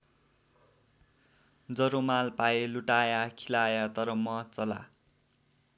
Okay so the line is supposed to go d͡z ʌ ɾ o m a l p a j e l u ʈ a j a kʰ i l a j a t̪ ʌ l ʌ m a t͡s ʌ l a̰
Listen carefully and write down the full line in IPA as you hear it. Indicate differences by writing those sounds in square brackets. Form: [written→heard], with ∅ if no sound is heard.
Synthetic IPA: d͡z ʌ ɾ o m a l p a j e l u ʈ a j a kʰ i l a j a t̪ ʌ [l→ɾ] ʌ m [a→ʌ] t͡s ʌ l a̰